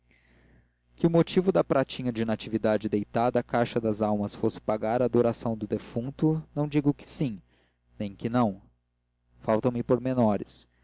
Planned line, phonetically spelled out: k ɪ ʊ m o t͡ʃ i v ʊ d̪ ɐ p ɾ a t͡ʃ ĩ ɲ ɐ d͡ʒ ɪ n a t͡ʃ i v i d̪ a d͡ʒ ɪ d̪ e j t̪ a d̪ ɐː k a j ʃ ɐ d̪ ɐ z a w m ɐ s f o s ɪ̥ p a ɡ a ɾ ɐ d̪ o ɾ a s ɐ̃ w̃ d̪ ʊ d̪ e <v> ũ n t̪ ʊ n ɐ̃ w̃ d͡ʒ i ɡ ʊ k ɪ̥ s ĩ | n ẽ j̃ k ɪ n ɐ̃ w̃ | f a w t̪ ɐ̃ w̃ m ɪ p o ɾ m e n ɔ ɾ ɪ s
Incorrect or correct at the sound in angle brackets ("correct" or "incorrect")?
incorrect